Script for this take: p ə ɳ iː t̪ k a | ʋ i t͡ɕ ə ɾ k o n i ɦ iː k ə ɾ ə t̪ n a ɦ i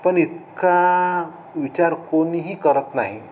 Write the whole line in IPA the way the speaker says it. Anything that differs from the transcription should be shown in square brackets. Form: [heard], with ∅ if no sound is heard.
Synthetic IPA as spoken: p ə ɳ [i] t̪ k a | ʋ i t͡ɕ [a] ɾ k o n i ɦ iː k ə ɾ ə t̪ n a ɦ i